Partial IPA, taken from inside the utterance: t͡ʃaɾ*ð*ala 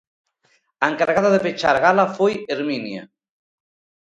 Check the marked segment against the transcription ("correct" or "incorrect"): incorrect